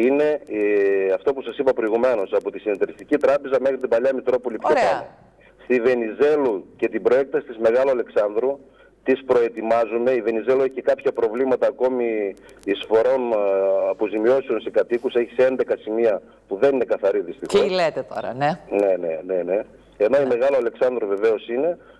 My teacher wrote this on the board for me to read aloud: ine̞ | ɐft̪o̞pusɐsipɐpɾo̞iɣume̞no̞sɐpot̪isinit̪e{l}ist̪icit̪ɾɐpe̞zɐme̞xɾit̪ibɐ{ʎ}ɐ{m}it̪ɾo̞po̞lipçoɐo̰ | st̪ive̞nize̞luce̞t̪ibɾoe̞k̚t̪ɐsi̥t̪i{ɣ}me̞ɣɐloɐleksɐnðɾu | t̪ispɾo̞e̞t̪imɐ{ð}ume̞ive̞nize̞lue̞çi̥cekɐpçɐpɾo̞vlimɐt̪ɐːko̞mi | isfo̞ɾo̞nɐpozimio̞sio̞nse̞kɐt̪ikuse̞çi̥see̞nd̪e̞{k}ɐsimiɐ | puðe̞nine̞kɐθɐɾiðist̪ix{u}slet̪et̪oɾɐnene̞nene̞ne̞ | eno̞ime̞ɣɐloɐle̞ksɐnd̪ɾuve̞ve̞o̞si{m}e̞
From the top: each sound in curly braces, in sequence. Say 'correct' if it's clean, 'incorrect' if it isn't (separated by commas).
incorrect, correct, correct, incorrect, incorrect, correct, incorrect, incorrect